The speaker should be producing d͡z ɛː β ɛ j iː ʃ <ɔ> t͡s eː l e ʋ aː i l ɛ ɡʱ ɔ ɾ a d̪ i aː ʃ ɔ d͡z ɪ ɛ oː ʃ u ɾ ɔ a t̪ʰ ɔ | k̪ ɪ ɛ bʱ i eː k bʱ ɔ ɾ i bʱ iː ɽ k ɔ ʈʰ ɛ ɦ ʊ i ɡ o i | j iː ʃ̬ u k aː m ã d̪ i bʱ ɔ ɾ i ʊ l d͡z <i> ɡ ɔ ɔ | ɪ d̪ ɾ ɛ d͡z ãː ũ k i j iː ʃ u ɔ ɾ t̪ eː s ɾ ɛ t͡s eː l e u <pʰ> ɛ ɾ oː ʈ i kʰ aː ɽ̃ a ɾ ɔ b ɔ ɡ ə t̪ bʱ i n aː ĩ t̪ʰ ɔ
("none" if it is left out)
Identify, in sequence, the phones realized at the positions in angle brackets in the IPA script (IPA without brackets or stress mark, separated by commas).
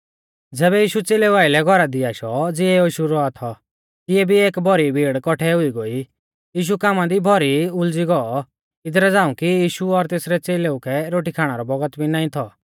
u, i, kʰ